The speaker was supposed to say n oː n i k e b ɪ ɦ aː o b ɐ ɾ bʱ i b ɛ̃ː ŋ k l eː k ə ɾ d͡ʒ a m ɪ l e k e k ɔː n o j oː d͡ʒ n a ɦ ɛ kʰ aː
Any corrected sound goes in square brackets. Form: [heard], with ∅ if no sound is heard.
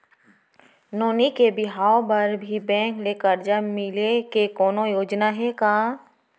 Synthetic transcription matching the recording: n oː n i k e b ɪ ɦ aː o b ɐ ɾ bʱ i b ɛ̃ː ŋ k l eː k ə ɾ d͡ʒ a m ɪ l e k e k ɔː n o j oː d͡ʒ n a ɦ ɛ [k] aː